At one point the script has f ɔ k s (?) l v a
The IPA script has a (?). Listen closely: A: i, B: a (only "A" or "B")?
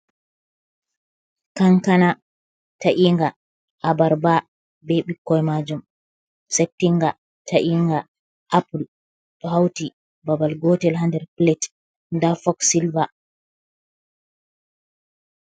A